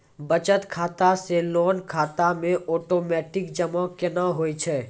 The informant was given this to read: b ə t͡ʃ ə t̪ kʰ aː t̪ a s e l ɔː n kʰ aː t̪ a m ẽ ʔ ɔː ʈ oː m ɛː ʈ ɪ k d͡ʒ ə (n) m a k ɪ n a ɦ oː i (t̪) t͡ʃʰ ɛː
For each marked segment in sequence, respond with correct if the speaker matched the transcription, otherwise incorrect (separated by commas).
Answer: incorrect, incorrect